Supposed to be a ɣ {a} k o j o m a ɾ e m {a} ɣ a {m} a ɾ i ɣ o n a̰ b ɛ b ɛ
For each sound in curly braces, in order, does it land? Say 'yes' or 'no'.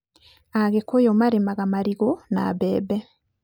no, yes, yes

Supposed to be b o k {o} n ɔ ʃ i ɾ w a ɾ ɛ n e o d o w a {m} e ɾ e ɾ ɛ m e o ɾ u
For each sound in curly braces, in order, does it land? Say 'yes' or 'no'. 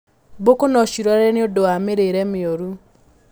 yes, yes

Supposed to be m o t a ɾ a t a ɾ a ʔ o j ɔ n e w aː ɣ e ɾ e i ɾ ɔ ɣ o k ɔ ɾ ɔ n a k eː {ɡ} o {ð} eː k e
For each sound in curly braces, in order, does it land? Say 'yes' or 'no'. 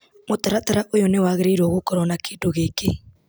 no, no

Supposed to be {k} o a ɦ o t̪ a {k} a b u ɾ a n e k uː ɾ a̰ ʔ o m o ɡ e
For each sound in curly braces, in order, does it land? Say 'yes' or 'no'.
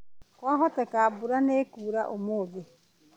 yes, yes

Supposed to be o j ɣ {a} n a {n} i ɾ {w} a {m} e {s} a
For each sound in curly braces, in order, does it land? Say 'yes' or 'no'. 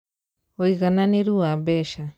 yes, yes, no, no, no

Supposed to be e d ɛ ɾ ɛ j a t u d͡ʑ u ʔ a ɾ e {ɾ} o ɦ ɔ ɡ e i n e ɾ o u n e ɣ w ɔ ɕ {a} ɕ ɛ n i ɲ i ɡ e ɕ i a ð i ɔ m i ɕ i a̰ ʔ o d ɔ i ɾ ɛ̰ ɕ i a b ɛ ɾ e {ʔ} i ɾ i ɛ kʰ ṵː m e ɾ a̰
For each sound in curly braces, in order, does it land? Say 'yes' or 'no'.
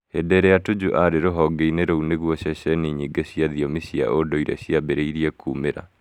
yes, no, no

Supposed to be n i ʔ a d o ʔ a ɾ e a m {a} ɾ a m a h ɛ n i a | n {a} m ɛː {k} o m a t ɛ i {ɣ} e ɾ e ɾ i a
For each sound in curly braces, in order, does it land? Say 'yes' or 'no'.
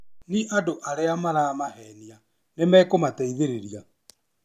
yes, no, yes, no

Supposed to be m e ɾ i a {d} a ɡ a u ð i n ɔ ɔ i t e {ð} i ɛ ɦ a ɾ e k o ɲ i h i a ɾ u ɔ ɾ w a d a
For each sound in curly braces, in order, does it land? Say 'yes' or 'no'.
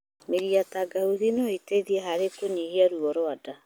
no, yes

